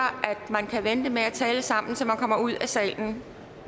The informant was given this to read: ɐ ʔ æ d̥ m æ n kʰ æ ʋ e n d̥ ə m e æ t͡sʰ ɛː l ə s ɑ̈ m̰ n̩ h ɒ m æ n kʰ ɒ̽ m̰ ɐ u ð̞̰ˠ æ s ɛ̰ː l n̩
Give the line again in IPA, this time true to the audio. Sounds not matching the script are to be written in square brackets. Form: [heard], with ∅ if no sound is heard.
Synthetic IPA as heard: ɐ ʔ æ d̥ m æ n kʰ æ ʋ e n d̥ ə m e æ t͡sʰ ɛː l ə s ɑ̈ m̰ n̩ [s] ɒ m æ n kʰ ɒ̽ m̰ ɐ u ð̞̰ˠ æ s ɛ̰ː l n̩